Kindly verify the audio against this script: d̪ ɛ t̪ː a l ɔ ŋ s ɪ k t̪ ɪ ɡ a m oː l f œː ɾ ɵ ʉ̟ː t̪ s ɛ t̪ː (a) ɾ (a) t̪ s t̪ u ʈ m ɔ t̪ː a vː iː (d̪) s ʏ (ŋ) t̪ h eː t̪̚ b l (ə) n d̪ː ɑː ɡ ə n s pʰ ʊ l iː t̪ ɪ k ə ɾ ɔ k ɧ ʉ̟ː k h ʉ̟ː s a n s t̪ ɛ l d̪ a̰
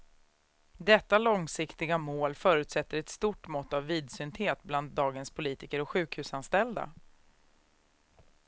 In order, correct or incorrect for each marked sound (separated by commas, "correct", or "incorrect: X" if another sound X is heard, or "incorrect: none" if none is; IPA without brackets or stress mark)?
incorrect: ə, incorrect: ɛ, correct, incorrect: n, incorrect: a